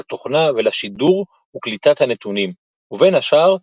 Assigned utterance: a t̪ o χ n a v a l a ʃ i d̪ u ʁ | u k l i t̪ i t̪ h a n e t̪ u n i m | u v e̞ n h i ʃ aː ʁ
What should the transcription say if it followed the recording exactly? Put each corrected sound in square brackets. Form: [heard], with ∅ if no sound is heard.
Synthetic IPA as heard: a t̪ o χ n a v [e] l a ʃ i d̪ u ʁ | u k l i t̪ [a] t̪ h a n e t̪ u n i m | u v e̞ n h [a] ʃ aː ʁ